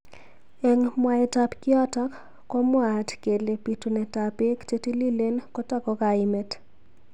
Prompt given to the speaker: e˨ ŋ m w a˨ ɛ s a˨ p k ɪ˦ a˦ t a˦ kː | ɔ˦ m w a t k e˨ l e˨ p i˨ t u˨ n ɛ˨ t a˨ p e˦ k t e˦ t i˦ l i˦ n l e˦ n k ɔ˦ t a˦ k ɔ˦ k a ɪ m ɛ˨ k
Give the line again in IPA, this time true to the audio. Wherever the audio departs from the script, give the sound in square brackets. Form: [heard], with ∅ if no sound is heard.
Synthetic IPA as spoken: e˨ ŋ m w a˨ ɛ [t] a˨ p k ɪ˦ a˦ t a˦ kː | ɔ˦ m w a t k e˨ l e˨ p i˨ t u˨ n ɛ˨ t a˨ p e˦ k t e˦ t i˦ l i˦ [∅] l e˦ n k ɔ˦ t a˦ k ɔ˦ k a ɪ m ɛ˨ [t]